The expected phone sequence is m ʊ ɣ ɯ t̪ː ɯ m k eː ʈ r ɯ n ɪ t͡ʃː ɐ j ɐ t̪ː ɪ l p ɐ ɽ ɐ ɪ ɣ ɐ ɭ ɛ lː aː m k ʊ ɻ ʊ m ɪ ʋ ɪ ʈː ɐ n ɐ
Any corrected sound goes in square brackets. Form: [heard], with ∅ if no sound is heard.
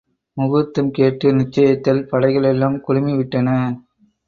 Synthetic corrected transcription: m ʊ ɣ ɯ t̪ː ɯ m k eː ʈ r ɯ n ɪ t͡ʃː ɐ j ɐ t̪ː ɪ l p ɐ ɽ ɐ ɪ ɣ ɐ ɭ ɛ lː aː m k ʊ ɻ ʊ m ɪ ʋ ɪ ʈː ɐ n ɐ